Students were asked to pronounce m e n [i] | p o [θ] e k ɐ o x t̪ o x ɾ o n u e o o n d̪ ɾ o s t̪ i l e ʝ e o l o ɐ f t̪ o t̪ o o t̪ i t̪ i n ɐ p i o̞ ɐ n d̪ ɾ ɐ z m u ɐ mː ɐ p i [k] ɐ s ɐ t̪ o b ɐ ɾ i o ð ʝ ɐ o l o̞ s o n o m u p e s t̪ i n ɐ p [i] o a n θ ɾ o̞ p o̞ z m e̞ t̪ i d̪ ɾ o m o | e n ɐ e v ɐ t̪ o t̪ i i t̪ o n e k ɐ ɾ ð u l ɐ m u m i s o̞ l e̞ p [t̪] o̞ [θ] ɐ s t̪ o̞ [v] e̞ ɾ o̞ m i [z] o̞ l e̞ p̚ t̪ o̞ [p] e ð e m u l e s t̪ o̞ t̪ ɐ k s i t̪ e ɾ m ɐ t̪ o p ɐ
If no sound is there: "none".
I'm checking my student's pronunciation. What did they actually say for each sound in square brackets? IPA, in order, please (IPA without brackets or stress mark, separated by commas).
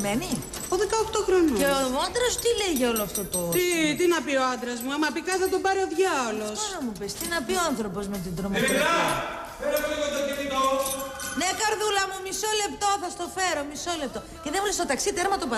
i, ð, k, i, t̪, θ, f, s, c